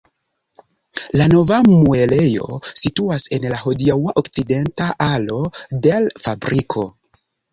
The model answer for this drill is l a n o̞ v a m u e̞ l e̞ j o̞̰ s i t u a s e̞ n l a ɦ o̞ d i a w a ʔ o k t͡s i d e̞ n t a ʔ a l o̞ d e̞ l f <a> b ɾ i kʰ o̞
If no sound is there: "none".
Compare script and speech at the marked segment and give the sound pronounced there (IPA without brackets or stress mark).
a